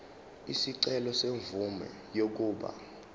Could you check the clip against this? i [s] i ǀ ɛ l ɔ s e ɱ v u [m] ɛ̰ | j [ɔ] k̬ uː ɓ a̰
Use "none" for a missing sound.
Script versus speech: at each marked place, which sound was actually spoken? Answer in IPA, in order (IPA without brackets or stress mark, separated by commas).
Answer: s, m, o